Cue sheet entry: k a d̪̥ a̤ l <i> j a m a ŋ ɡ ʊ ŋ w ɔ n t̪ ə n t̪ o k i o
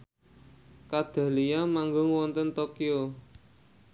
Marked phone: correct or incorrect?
correct